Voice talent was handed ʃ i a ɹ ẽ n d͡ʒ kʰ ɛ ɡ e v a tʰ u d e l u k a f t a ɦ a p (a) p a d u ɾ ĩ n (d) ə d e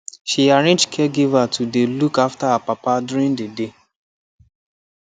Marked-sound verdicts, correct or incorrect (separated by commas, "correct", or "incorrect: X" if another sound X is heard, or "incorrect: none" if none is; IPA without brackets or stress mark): correct, correct